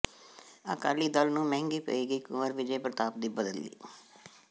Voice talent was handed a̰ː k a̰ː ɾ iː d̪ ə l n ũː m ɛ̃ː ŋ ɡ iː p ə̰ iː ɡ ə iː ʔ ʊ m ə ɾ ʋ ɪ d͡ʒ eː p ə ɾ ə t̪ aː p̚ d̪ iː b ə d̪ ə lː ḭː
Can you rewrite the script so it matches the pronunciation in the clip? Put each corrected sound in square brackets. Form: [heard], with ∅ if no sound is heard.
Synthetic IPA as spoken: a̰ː k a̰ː [l] iː d̪ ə l n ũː m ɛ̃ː ŋ ɡ iː p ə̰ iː ɡ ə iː [k] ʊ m ə ɾ ʋ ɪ d͡ʒ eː p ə ɾ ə t̪ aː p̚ d̪ iː b ə d̪ ə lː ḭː